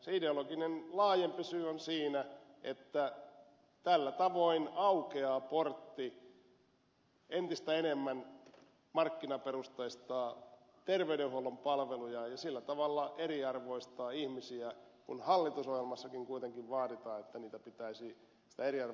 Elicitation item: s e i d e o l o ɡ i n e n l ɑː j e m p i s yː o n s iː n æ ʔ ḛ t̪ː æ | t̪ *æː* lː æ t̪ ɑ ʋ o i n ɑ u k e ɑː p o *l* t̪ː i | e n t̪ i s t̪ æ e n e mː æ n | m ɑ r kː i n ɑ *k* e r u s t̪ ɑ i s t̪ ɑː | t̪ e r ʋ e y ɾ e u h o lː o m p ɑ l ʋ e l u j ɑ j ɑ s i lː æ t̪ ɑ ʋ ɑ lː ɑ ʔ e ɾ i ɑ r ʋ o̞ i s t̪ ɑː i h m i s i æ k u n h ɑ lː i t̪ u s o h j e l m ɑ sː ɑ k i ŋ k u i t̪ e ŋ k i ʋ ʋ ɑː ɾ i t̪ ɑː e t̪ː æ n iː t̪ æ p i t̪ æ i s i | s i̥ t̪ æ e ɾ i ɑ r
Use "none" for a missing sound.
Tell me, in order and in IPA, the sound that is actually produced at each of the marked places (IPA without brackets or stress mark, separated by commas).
æ, r, p